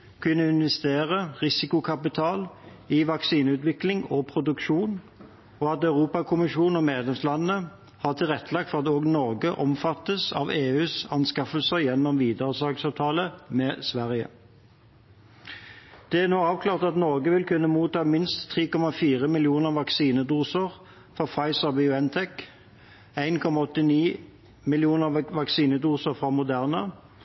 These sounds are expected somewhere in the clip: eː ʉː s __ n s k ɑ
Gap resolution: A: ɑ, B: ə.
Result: A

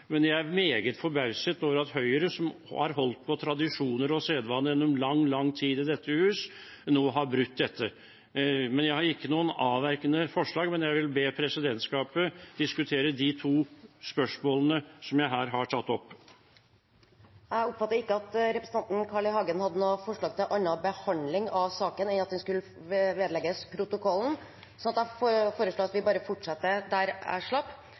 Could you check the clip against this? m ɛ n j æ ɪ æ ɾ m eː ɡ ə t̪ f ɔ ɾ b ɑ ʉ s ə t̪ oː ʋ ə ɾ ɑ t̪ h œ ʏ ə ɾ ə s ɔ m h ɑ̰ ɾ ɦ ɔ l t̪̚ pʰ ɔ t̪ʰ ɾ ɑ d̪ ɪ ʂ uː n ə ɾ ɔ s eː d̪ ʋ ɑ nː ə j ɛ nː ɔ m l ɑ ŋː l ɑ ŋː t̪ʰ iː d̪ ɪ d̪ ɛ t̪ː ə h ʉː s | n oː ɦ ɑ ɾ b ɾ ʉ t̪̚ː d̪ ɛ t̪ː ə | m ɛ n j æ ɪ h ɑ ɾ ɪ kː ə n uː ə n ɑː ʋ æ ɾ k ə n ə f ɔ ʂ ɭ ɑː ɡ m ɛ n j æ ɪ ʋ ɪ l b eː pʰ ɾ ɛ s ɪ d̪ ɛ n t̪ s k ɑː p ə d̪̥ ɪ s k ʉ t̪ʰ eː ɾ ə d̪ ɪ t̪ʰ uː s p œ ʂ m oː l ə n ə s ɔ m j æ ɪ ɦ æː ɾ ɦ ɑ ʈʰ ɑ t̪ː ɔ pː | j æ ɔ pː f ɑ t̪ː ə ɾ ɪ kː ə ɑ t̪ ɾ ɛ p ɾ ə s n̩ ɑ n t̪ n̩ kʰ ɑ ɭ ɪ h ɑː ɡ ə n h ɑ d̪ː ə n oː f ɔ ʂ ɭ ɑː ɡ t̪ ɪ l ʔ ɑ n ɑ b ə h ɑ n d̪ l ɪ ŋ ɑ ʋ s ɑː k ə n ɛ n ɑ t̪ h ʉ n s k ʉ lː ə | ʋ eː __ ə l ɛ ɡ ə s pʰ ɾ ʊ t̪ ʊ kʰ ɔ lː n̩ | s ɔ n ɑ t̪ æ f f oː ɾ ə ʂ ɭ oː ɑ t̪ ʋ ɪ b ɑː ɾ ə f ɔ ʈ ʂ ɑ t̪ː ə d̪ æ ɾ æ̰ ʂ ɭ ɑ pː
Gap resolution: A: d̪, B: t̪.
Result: A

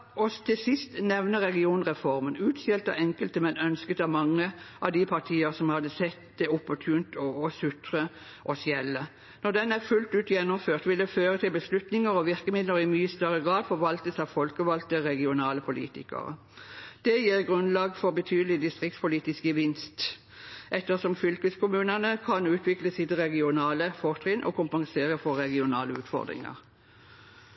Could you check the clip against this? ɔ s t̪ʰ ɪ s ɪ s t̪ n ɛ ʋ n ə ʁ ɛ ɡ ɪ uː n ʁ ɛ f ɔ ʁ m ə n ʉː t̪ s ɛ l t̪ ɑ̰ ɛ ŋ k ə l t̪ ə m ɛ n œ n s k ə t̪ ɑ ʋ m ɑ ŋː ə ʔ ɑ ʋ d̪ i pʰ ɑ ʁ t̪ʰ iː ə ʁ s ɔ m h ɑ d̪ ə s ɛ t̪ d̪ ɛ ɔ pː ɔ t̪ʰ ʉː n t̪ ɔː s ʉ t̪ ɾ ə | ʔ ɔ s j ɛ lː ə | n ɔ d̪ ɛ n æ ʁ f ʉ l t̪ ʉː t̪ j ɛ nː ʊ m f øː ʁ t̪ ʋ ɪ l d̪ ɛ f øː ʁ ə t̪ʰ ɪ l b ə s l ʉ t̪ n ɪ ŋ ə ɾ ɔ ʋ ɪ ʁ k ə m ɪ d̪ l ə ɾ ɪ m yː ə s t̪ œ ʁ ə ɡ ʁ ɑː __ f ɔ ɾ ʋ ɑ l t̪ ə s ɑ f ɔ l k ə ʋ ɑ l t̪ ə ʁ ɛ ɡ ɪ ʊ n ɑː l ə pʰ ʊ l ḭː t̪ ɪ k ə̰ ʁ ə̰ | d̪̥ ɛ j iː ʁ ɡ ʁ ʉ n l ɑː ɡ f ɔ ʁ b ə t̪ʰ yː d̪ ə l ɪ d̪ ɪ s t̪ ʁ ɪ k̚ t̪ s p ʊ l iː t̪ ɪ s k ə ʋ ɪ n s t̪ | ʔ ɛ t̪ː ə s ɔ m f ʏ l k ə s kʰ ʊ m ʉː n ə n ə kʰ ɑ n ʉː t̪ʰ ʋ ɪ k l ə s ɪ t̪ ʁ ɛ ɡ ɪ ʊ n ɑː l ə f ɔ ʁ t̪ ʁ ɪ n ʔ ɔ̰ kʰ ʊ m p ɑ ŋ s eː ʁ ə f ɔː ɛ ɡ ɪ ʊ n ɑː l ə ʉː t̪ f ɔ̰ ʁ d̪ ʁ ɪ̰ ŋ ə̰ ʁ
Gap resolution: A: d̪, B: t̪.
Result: A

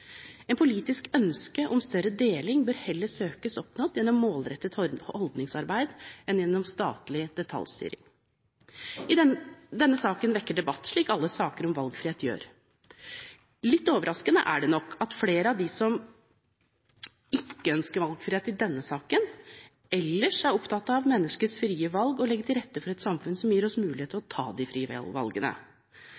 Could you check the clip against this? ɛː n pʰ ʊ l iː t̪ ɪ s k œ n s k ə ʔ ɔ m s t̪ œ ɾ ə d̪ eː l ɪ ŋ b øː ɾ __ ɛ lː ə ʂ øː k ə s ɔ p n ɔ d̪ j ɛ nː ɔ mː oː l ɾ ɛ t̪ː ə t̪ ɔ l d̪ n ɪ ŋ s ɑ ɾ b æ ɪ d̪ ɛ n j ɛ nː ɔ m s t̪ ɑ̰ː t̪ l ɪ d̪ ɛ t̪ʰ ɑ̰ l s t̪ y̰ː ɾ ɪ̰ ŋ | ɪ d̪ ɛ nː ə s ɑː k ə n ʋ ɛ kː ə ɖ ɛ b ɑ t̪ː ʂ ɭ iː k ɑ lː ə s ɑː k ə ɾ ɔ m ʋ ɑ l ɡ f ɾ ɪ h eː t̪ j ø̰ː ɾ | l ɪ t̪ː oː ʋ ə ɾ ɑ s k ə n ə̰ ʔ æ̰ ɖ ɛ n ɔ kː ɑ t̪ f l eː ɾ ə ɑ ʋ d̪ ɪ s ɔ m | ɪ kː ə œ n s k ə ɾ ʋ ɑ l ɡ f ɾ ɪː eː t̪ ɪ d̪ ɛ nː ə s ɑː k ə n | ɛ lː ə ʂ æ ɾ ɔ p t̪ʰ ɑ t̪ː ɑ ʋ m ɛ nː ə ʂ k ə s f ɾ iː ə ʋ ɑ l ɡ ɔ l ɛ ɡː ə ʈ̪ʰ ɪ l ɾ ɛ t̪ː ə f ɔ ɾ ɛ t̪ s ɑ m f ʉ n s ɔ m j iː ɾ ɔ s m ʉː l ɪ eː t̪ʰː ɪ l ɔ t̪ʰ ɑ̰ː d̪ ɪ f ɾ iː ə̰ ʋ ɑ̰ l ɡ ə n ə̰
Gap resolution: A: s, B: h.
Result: B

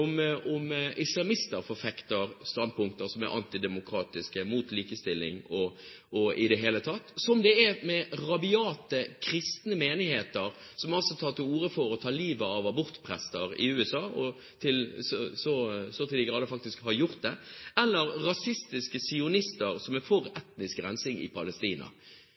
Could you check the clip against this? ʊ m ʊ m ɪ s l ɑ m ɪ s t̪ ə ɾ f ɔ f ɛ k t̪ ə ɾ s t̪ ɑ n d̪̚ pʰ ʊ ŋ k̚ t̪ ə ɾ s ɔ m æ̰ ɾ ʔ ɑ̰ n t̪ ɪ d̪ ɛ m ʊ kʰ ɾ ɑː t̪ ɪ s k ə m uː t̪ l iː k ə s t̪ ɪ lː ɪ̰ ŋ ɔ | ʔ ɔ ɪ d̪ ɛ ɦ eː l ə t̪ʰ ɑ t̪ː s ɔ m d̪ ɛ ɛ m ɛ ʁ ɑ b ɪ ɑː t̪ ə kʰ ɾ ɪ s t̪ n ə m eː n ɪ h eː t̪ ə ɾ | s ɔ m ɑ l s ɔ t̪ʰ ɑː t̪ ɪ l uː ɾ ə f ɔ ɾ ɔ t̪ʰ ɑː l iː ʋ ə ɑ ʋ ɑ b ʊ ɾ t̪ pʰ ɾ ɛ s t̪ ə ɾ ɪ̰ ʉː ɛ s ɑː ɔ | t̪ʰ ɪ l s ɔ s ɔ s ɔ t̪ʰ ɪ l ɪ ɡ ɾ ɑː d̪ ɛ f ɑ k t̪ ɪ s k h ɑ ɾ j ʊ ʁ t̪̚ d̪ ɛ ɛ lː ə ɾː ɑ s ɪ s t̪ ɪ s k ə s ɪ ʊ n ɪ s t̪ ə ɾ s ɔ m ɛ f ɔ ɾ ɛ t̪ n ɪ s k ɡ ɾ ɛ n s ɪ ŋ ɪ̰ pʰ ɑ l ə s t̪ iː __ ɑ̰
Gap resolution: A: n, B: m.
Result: A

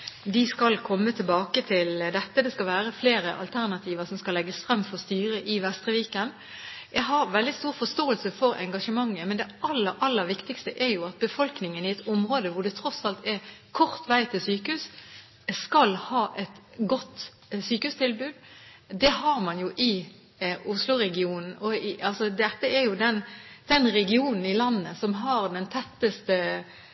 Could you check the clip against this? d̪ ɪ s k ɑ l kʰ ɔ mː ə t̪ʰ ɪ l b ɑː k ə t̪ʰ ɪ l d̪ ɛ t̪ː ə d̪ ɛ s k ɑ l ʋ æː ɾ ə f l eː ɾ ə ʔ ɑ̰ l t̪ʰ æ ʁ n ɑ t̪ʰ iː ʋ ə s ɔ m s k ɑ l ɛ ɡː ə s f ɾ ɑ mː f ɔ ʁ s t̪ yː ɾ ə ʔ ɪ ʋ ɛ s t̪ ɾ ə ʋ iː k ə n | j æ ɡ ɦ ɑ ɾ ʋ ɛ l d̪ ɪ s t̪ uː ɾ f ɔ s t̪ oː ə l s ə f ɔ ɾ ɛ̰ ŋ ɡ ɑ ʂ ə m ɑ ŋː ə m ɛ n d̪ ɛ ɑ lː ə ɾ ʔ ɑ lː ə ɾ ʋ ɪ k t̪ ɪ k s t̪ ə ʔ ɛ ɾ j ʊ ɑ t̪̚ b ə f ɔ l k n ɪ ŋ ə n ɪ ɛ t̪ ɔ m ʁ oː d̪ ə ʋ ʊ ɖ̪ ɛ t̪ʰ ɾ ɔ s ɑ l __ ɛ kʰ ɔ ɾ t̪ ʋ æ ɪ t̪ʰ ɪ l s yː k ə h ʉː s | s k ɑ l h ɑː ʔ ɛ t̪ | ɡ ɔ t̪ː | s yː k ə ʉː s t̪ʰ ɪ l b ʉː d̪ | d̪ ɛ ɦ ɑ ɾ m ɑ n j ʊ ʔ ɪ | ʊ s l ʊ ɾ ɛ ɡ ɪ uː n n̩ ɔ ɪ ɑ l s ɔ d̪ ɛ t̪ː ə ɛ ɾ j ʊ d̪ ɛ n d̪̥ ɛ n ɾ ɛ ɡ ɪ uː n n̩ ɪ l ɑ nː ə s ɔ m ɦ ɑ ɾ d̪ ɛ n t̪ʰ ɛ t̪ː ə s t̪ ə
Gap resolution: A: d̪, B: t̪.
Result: B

